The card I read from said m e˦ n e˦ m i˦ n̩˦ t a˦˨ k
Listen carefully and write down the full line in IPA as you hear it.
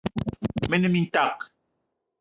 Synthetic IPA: m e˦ n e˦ m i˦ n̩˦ t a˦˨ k